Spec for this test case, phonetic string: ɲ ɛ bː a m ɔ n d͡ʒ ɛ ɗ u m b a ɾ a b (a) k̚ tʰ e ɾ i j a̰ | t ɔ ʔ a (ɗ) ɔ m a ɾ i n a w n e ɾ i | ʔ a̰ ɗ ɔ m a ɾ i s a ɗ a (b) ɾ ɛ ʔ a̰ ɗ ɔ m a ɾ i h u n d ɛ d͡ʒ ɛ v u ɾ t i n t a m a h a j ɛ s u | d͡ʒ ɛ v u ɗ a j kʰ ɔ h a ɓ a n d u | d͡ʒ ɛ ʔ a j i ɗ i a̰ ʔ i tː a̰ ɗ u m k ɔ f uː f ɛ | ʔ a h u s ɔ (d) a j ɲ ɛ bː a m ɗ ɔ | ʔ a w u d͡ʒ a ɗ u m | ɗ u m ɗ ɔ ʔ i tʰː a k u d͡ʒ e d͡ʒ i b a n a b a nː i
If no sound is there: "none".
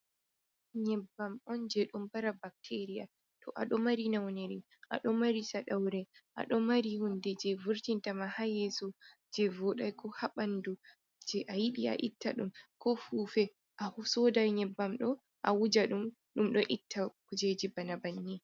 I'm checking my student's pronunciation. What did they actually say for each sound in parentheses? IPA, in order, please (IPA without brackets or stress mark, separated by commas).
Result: a, ɗ, w, d